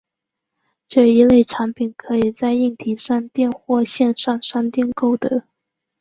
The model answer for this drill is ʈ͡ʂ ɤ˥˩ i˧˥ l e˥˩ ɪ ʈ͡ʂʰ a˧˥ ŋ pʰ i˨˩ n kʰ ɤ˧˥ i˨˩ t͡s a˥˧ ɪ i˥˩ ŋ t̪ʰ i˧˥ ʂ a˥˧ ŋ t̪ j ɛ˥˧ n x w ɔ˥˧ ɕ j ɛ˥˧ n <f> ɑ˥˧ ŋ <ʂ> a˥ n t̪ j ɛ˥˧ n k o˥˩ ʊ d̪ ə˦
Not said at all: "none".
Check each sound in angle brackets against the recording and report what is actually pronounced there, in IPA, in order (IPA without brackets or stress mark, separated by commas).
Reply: ʂ, ʂ